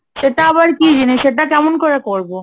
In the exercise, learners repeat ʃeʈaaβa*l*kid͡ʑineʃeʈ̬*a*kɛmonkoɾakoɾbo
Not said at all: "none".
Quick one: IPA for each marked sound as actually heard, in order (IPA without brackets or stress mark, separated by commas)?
ɾ, a